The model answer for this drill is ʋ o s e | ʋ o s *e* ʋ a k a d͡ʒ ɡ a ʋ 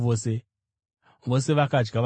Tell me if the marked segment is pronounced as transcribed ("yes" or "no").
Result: yes